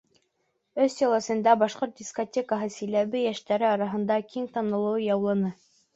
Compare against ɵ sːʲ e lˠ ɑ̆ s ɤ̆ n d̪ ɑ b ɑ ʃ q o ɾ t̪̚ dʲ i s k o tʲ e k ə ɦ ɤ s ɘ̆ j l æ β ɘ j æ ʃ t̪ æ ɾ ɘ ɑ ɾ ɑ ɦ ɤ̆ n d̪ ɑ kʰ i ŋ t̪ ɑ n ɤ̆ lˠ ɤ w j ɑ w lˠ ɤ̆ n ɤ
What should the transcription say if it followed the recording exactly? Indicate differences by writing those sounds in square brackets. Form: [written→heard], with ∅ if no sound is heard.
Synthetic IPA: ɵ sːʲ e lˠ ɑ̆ s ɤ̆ n d̪ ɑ b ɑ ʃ q o ɾ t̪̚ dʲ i s k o tʲ e k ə ɦ ɤ s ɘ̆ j l æ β ɘ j æ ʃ t̪ æ ɾ ɘ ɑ ɾ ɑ ɦ ɤ̆ n d̪ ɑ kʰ i ŋ t̪ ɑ n ɤ̆ lˠ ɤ w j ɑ w lˠ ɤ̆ n ɤ